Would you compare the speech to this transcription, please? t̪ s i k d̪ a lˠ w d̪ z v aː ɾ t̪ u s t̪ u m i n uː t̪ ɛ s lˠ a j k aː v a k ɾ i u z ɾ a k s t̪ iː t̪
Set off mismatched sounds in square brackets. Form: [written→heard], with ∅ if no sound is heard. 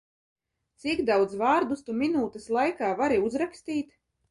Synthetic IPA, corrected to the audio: t̪ s i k d̪ a [lˠ→∅] w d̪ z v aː ɾ [t̪→d̪] u s t̪ u m i n uː t̪ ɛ s lˠ a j k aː v a [k→∅] ɾ i u z ɾ a k s t̪ iː t̪

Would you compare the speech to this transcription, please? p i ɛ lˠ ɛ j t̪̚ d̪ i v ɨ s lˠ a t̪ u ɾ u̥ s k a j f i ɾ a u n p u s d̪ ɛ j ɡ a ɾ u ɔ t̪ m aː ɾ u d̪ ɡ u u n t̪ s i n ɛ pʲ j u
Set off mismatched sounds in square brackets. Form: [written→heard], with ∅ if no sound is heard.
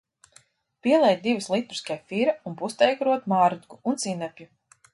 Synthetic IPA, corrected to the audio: p i ɛ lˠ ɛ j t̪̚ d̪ i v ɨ s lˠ [a→i] t̪ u ɾ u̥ s k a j f i ɾ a u n p u s [d̪→t̪] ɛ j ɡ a ɾ u ɔ t̪ m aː ɾ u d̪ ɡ u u n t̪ s i n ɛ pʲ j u

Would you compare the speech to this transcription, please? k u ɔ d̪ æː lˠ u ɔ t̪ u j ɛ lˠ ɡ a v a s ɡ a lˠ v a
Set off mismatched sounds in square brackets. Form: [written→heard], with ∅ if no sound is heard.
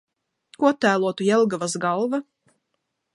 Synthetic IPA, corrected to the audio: k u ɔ [d̪→t̪] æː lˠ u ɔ t̪ u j ɛ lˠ ɡ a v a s ɡ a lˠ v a

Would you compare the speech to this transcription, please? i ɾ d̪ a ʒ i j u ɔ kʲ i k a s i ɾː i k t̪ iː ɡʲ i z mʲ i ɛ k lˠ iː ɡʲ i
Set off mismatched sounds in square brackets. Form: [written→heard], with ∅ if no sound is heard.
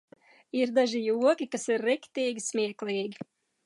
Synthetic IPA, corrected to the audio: i ɾ d̪ a ʒ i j u ɔ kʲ i k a s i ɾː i k t̪ iː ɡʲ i [z→s] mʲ i ɛ k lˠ iː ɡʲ i

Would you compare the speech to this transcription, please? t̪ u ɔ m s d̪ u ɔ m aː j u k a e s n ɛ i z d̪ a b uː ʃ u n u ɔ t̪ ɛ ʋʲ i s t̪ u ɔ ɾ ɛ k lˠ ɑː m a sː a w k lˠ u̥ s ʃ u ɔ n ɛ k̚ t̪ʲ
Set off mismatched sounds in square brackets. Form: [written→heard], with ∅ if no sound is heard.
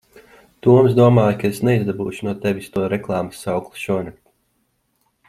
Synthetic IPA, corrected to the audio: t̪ u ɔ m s d̪ u ɔ m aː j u k a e s n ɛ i z d̪ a b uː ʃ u n u ɔ t̪ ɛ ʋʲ i s t̪ u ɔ ɾ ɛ k lˠ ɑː m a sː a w k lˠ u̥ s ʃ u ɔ n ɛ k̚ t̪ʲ

